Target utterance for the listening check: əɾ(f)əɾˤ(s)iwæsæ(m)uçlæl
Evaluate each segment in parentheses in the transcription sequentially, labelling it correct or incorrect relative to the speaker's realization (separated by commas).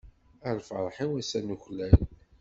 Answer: correct, incorrect, incorrect